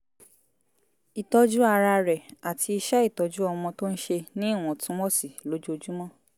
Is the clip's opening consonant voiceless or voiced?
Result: voiceless